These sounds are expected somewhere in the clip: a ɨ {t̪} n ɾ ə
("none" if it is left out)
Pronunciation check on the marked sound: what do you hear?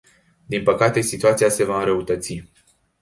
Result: none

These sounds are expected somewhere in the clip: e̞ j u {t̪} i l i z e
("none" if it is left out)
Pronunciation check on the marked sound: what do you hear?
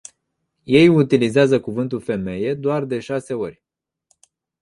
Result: t̪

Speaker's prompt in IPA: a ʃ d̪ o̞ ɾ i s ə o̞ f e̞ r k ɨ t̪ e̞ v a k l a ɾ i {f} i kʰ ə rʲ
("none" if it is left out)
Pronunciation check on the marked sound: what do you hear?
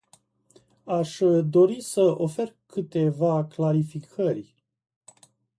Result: f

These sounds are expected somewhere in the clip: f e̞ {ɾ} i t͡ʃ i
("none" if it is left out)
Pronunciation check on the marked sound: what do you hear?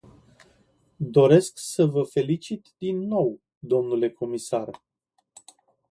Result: l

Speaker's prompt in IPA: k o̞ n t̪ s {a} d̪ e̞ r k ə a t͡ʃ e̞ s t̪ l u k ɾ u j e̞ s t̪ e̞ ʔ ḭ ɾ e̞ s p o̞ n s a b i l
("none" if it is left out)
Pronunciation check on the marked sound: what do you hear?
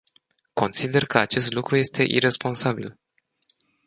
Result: i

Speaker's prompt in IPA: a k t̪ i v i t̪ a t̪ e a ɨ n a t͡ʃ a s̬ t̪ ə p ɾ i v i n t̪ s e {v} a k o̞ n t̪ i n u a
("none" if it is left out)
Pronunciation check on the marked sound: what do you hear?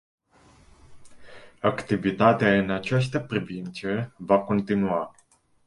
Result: v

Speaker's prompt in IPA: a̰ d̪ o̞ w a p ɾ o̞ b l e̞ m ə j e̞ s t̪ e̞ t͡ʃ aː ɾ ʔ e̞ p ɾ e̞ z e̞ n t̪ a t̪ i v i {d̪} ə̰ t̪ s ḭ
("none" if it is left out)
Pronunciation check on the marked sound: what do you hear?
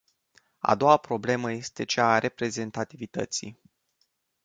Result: t̪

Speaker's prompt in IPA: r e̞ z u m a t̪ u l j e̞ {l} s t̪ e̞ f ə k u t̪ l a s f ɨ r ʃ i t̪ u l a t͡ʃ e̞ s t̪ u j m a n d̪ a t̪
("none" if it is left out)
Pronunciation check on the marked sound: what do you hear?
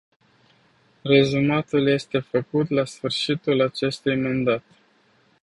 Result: none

